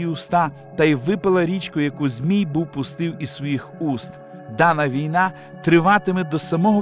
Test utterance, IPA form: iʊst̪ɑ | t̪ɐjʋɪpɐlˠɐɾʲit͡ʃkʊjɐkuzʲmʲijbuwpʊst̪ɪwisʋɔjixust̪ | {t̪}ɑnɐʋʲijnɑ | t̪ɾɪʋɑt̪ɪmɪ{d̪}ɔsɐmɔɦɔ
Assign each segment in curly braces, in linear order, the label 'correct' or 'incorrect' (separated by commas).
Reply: incorrect, correct